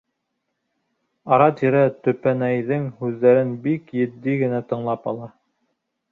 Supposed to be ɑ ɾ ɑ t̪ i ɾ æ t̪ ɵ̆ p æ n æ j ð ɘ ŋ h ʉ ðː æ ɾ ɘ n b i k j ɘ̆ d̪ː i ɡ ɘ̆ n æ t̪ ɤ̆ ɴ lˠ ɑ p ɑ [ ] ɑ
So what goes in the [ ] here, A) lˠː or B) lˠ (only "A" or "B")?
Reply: B